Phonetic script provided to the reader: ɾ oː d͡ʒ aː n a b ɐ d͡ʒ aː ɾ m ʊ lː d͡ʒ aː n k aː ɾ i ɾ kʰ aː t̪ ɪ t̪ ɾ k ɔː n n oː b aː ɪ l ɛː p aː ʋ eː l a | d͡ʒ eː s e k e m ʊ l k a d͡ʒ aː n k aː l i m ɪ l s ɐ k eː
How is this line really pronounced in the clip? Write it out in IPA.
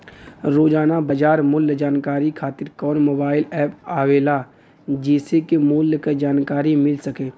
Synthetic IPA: ɾ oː d͡ʒ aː n a b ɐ d͡ʒ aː ɾ m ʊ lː d͡ʒ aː n k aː ɾ i kʰ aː t̪ ɪ ɾ k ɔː n m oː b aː ɪ l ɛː p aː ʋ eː l a | d͡ʒ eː s e k e m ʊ l k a d͡ʒ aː n k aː ɾ i m ɪ l s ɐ k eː